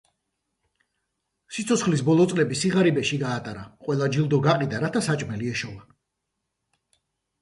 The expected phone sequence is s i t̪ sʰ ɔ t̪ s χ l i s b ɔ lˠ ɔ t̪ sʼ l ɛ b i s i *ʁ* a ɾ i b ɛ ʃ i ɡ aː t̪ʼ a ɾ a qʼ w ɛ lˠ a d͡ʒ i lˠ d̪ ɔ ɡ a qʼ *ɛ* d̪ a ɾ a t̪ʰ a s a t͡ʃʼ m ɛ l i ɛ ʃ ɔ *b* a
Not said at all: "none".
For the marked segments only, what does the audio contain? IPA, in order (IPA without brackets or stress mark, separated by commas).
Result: ʁ, i, v